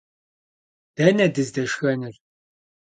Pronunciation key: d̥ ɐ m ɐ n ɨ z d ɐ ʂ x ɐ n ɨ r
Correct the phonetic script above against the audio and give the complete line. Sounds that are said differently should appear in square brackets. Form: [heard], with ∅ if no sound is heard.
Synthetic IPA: d̥ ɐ [n] ɐ [d] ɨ z d ɐ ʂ x ɐ n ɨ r